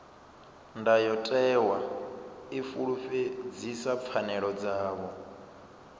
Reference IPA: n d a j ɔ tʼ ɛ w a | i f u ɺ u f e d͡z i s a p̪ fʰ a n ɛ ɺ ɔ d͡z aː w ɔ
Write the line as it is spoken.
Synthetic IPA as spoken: n d a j ɔ tʼ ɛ w a | i f u ɺ u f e d͡z i s a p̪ fʰ a n ɛ ɺ ɔ d͡z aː β ɔ